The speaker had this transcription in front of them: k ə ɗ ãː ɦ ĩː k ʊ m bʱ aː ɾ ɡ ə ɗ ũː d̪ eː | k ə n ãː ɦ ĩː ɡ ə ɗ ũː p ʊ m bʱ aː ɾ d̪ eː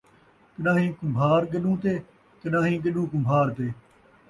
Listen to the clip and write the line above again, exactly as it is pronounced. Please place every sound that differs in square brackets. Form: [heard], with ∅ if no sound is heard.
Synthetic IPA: k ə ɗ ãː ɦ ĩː k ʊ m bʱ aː ɾ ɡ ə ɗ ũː [t̪] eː | k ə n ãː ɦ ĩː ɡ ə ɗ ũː [k] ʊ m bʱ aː ɾ [t̪] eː